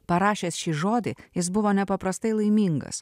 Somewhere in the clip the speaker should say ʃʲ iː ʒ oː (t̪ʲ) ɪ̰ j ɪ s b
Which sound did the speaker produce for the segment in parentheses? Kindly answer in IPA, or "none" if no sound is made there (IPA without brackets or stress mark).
d̪ʲ